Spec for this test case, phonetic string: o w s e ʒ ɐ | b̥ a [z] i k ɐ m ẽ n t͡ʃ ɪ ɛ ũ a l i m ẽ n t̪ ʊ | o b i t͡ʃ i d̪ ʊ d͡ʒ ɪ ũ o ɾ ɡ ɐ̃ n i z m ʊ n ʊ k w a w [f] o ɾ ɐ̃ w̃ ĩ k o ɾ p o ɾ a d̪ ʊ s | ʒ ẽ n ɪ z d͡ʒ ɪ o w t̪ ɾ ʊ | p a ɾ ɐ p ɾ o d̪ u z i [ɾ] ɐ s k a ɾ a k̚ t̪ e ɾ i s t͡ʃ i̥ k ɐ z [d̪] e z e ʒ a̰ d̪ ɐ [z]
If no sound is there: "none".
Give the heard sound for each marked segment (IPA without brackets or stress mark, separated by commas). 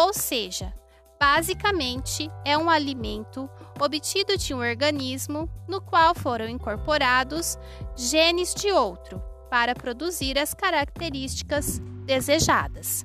z, f, ɾ, d̪, s